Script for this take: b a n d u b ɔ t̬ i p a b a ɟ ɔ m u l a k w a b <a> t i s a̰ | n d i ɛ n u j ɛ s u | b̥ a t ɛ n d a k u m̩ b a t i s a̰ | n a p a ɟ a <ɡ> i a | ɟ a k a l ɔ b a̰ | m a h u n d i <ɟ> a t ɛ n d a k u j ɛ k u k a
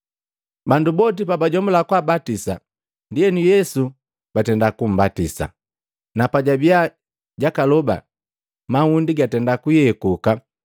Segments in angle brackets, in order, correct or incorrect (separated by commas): correct, incorrect, incorrect